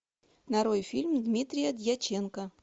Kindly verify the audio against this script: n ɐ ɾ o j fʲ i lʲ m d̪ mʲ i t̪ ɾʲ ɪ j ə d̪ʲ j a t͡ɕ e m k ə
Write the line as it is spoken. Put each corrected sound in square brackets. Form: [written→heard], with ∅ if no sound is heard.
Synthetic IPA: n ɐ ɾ o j fʲ i lʲ m d̪ mʲ i t̪ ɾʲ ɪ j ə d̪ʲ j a t͡ɕ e [m→n] k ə